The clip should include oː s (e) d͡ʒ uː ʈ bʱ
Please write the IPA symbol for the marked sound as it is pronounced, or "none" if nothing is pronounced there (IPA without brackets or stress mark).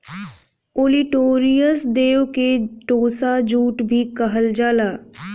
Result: a